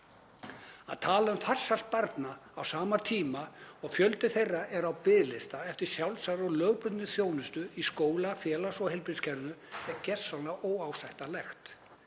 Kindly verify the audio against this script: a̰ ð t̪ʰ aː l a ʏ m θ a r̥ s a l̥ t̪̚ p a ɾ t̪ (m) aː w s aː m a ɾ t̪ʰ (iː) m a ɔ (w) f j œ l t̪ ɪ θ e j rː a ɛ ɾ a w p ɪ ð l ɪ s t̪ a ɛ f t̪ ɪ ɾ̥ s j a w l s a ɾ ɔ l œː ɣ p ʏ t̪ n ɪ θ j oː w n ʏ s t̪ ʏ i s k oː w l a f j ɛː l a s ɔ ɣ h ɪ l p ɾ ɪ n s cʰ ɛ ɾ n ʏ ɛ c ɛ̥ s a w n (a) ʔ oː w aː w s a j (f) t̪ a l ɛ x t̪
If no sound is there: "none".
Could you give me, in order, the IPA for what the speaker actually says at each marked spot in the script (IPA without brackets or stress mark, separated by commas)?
n, iː, ɣ, a, h